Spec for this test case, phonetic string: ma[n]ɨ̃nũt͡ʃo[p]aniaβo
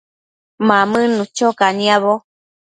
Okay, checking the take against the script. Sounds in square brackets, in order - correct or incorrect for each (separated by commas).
incorrect, incorrect